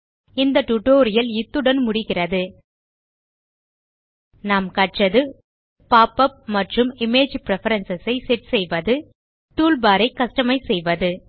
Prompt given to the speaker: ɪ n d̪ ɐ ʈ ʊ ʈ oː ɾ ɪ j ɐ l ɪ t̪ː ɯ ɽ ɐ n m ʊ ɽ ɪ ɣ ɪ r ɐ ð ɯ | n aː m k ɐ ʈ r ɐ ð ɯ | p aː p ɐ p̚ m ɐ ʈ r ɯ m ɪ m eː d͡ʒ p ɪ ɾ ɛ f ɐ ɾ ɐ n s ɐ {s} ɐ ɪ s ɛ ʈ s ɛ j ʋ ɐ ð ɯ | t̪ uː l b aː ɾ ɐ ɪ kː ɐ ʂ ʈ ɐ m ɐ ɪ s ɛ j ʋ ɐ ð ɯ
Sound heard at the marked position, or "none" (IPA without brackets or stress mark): s